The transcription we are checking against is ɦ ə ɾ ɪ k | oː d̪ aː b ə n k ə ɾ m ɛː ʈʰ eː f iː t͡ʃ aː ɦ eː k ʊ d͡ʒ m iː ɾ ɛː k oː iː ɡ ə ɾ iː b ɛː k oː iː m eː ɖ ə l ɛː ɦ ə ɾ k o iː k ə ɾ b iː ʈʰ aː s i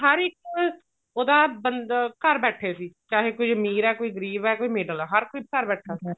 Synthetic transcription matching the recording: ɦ ə ɾ ɪ k | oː d̪ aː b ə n k ə ɾ b ɛː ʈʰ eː s iː t͡ʃ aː ɦ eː k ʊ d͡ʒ m iː ɾ ɛː k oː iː ɡ ə ɾ iː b ɛː k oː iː m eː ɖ ə l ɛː ɦ ə ɾ k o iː k ə ɾ b ɛː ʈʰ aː s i

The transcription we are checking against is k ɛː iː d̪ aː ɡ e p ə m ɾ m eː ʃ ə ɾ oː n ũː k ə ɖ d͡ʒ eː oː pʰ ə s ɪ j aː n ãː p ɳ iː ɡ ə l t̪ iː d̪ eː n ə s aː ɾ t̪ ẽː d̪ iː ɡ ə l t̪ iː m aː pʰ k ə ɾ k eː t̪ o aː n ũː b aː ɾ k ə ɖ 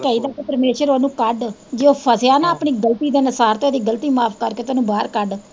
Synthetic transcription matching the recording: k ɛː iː d̪ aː k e p ə ɾ m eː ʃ ə ɾ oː n ũː k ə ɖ d͡ʒ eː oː pʰ ə s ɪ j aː n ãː p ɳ iː ɡ ə l t̪ iː d̪ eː n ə s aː ɾ t̪ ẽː d̪ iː ɡ ə l t̪ iː m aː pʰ k ə ɾ k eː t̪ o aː n ũː b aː ɾ k ə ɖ

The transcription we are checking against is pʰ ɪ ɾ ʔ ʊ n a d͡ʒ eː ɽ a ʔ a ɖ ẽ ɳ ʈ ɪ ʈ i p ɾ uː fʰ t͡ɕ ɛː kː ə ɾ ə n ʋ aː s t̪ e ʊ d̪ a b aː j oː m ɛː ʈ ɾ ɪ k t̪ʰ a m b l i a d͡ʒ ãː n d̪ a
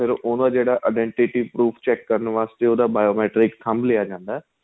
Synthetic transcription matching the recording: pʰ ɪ ɾ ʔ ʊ n a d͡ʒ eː ɽ a ʔ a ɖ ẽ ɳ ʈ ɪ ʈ i p ɾ uː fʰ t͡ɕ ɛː kː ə ɾ ə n ʋ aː s t̪ e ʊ d̪ a b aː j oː m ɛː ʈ ɾ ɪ k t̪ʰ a m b l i a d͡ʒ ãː n d̪ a

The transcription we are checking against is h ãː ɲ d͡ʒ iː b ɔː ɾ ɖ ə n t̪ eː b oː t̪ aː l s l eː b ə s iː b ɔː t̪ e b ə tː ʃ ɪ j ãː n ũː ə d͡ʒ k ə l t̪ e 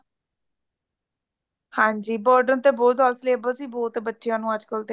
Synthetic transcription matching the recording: h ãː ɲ d͡ʒ iː b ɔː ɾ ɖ ə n t̪ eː b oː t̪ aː l s l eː b ə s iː b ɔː t̪ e b ə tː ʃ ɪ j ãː n ũː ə d͡ʒ k ə l t̪ e

